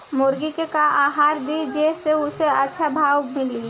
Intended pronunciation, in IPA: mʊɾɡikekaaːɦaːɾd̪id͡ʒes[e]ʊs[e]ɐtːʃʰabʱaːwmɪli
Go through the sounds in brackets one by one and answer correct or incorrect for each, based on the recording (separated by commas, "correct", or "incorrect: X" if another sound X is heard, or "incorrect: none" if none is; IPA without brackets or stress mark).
correct, correct